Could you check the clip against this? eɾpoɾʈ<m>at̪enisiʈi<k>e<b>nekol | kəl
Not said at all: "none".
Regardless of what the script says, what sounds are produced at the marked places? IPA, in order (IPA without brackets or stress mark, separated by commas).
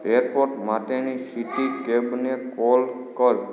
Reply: m, k, b